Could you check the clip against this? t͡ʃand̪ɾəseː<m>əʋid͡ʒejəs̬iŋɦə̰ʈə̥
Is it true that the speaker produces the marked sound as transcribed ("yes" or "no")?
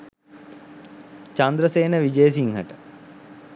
no